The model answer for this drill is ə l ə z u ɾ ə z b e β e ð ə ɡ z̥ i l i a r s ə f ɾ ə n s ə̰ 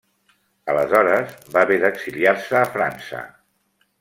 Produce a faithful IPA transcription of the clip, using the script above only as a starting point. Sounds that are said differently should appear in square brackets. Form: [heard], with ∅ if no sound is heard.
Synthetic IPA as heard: ə l ə z [ɔ] ɾ ə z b [a] β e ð ə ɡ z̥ i l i a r s [əː] f ɾ [a] n s ə̰